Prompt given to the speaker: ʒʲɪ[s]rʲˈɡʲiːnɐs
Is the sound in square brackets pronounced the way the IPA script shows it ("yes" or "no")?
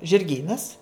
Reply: no